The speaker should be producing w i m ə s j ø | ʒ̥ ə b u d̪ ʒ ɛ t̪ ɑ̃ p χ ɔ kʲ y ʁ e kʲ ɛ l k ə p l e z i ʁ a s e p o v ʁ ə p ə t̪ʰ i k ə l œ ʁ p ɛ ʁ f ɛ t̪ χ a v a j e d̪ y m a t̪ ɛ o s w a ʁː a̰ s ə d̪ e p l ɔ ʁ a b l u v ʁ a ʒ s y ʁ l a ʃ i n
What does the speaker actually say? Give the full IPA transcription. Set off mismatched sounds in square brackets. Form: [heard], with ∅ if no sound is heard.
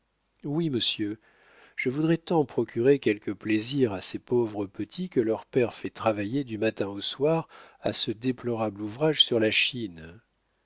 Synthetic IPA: w i m ə s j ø | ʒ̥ ə [v] u d̪ [ʁ] ɛ t̪ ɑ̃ p χ ɔ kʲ y ʁ e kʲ ɛ l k ə p l e z i ʁ a s e p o v ʁ ə p ə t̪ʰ i k ə l œ ʁ p ɛ ʁ f ɛ t̪ χ a v a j e d̪ y m a t̪ [ɛ̃] o s w a [ʁ] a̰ s ə d̪ e p l ɔ ʁ a b l u v ʁ a ʒ s y ʁ l a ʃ i n